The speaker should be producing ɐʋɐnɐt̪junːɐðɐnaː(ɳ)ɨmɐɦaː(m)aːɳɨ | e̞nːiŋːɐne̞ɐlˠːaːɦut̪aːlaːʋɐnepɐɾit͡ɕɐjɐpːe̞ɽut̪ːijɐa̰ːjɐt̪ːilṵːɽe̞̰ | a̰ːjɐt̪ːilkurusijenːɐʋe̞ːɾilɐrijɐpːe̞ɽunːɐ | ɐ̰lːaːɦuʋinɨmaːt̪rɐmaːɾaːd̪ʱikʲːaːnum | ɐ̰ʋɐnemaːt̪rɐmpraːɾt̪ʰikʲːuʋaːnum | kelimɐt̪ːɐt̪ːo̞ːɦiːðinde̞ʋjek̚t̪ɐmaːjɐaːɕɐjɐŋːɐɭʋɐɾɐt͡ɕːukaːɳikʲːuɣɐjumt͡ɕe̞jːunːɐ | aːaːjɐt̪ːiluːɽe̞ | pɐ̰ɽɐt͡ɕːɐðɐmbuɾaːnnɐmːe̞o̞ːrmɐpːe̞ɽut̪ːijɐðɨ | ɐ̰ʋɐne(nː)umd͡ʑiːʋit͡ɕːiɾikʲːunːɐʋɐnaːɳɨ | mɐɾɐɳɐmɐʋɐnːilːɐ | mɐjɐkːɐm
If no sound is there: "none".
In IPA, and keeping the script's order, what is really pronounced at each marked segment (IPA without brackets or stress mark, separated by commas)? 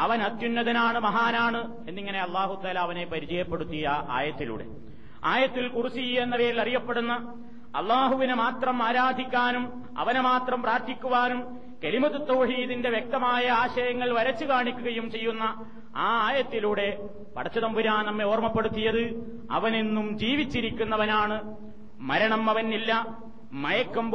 ɳ, n, nː